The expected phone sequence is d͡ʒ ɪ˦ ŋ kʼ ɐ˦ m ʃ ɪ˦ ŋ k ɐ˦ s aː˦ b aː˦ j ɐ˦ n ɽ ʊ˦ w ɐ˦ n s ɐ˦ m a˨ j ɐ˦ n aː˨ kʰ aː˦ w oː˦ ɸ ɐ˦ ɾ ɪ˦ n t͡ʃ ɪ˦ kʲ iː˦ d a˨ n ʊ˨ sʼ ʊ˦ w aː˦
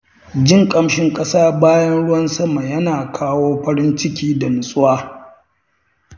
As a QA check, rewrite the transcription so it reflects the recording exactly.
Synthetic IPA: d͡ʒ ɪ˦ ŋ kʼ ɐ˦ m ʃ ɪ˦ ŋ kʼ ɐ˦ s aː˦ b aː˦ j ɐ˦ n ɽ ʊ˦ w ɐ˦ n s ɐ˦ m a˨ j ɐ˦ n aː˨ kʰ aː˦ w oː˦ ɸ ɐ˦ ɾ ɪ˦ n t͡ʃ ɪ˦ kʲ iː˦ d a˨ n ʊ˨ sʼ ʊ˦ w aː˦